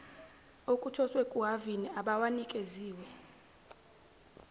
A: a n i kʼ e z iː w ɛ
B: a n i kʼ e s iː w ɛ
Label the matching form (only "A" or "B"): A